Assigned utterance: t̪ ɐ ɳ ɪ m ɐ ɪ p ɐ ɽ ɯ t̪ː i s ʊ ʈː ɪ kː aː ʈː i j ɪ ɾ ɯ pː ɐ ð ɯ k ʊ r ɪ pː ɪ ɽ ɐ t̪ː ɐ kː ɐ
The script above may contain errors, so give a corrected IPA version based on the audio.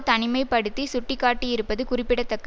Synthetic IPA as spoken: t̪ ɐ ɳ ɪ m ɐ ɪ p ɐ ɽ ɯ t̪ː i s ʊ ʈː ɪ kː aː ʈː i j ɪ ɾ ɯ pː ɐ ð ɯ k ʊ r ɪ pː ɪ ɽ ɐ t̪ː ɐ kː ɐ

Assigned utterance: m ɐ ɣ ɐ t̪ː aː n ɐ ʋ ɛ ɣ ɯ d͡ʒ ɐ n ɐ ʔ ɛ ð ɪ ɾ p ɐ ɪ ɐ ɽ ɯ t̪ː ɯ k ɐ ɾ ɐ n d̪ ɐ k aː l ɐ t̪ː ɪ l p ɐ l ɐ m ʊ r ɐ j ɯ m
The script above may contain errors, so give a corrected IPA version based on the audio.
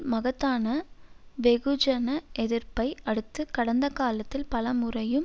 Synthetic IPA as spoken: m ɐ ɣ ɐ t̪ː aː n ɐ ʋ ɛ ɣ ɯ d͡ʒ ɐ n ɐ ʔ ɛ ð ɪ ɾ p ɐ ɪ ɐ ɽ ɯ t̪ː ɯ k ɐ ɽ ɐ n d̪ ɐ k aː l ɐ t̪ː ɪ l p ɐ l ɐ m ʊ r ɐ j ɯ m

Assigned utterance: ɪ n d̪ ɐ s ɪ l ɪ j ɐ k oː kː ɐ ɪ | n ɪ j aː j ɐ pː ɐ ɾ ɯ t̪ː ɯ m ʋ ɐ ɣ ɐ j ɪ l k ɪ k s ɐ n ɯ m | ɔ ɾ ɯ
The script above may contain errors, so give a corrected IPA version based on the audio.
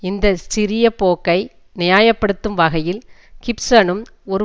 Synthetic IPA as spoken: ɪ n d̪ ɐ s ɪ ɾ ɪ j ɐ p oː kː ɐ ɪ | n ɪ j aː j ɐ pː ɐ ɽ ɯ t̪ː ɯ m ʋ ɐ ɣ ɐ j ɪ l k ɪ p s ɐ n ɯ m | ɔ ɾ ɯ

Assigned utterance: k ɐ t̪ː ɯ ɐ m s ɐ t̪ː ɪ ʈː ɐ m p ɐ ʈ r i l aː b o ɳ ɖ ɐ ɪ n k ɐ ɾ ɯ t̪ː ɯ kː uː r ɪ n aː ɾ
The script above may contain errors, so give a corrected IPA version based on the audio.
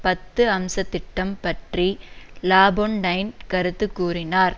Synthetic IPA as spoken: p ɐ t̪ː ɯ ɐ m s ɐ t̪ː ɪ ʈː ɐ m p ɐ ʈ r i l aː b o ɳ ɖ ɐ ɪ n k ɐ ɾ ɯ t̪ː ɯ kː uː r ɪ n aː ɾ

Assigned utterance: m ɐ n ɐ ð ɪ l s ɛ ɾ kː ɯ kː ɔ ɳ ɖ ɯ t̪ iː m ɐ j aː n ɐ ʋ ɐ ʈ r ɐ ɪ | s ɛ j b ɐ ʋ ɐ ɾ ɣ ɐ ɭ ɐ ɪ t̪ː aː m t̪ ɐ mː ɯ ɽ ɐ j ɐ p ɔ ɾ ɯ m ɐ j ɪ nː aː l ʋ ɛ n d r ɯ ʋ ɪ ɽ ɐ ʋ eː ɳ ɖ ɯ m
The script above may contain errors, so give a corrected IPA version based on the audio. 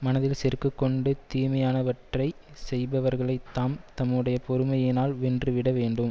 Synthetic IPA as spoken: m ɐ n ɐ ð ɪ l s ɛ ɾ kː ɯ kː ɔ ɳ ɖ ɯ t̪ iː m ɐ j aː n ɐ ʋ ɐ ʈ r ɐ ɪ | s ɛ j b ɐ ʋ ɐ ɾ ɣ ɐ ɭ ɐ ɪ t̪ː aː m t̪ ɐ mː ɯ ɽ ɐ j ɐ p ɔ ɾ ɯ m ɐ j ɪ n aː l ʋ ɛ n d r ɯ ʋ ɪ ɽ ɐ ʋ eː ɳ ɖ ɯ m

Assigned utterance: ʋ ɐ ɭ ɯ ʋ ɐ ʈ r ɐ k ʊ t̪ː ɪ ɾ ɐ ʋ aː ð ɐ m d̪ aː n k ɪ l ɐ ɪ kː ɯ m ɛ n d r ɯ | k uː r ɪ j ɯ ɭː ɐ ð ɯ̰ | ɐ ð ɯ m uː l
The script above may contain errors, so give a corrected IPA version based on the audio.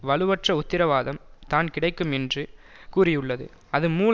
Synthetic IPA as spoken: ʋ ɐ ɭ ɯ ʋ ɐ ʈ r ɐ ʊ t̪ː ɪ ɾ ɐ ʋ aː ð ɐ m t̪ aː n k ɪ ɽ ɐ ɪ kː ɯ m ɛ n d r ɯ | k uː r ɪ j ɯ ɭː ɐ ð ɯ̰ | ɐ ð ɯ m uː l

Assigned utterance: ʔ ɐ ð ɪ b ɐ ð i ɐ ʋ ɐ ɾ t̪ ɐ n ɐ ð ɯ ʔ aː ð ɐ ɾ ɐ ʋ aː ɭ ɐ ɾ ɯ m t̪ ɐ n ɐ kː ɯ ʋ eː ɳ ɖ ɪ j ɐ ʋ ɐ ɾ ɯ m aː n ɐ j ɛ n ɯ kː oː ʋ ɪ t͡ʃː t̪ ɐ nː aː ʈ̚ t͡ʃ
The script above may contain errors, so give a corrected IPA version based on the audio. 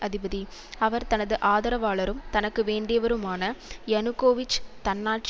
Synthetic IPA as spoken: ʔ ɐ ð ɪ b ɐ ð i ɐ ʋ ɐ ɾ t̪ ɐ n ɐ ð ɯ ʔ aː ð ɐ ɾ ɐ ʋ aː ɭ ɐ ɾ ɯ m t̪ ɐ n ɐ kː ɯ ʋ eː ɳ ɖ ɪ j ɐ ʋ ɐ ɾ ɯ m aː n ɐ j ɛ n ɯ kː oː ʋ ɪ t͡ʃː t̪ ɐ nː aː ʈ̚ t͡ʃ

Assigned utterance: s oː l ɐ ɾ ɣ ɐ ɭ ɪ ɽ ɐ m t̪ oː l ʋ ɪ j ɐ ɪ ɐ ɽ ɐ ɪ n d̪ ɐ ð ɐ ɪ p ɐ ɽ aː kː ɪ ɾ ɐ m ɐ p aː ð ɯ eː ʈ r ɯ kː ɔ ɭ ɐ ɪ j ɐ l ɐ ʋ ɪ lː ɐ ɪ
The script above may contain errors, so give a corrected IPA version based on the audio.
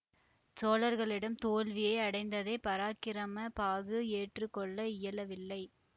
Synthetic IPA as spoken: s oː l ɐ ɾ ɣ ɐ ɭ ɪ ɽ ɐ m t̪ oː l ʋ ɪ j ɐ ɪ ɐ ɽ ɐ ɪ n d̪ ɐ ð ɐ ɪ p ɐ ɾ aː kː ɪ ɾ ɐ m ɐ p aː ɣ ɯ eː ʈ r ɯ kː ɔ ɭː ɐ ɪ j ɐ l ɐ ʋ ɪ lː ɐ ɪ

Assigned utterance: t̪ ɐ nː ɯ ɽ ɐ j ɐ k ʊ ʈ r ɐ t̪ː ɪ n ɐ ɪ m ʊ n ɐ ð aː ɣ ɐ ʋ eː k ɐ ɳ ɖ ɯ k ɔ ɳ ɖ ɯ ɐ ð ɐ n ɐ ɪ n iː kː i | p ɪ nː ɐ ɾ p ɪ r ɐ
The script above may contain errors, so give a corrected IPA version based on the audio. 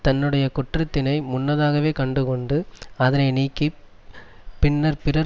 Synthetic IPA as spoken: t̪ ɐ nː ɯ ɽ ɐ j ɐ k ʊ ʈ r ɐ t̪ː ɪ n ɐ ɪ m ʊ nː ɐ ð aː ɣ ɐ ʋ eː k ɐ ɳ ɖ ɯ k ɔ ɳ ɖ ɯ ɐ ð ɐ n ɐ ɪ n iː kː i | p ɪ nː ɐ ɾ p ɪ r ɐ

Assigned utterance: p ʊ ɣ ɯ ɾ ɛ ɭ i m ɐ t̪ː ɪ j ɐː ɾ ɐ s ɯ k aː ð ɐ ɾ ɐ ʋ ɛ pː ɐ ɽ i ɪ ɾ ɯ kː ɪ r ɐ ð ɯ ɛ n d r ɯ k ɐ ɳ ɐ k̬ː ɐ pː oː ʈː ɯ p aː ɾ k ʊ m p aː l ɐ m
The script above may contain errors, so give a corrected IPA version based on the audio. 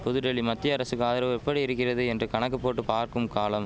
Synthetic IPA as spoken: p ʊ ð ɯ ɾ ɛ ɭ i m ɐ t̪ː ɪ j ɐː ɾ ɐ s ɯ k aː ð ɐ ɾ ɐ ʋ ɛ pː ɐ ɽ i ɪ ɾ ɯ kː ɪ r ɐ ð ɯ ɛ n d r ɯ k ɐ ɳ ɐ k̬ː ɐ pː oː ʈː ɯ p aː ɾ k ɯ m k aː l ɐ m

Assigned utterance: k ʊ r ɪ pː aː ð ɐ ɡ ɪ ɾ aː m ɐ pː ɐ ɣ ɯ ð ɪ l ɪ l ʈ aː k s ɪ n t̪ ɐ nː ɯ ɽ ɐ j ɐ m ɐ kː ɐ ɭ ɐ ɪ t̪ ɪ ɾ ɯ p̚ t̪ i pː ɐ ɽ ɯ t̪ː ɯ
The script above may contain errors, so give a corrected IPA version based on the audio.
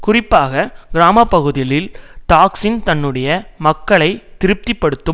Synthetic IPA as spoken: k ʊ r ɪ pː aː ɣ ɐ ɡ ɪ ɾ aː m ɐ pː ɐ ɣ ɯ ð ɪ l ɪ l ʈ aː k s ɪ n t̪ ɐ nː ɯ ɽ ɐ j ɐ m ɐ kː ɐ ɭ ɐ ɪ t̪ ɪ ɾ ɯ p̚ t̪ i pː ɐ ɽ ɯ t̪ː ɯ

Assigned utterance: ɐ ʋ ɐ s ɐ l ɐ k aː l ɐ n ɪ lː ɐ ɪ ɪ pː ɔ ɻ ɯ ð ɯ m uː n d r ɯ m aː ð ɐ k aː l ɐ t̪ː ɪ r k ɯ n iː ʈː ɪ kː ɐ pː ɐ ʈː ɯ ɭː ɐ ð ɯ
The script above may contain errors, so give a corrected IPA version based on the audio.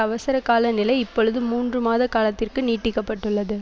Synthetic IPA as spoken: ɐ ʋ ɐ s ɐ ɾ ɐ k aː l ɐ n ɪ l ɐ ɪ ɪ pː ɔ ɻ ɯ ð ɯ m uː n d r ɯ m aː ð ɐ k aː l ɐ t̪ː ɪ r k ɯ n iː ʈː ɪ kː ɐ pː ɐ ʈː ɯ ɭː ɐ ð ɯ

